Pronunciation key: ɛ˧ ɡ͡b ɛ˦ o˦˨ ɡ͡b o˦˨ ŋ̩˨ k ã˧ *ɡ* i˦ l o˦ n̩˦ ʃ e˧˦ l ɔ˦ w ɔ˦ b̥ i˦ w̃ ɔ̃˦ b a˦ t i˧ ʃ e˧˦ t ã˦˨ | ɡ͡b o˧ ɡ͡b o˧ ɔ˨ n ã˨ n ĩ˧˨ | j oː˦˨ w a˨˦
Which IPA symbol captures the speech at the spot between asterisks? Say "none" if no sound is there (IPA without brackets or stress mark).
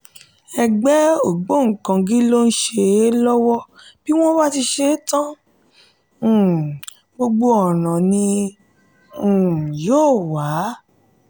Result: ɡ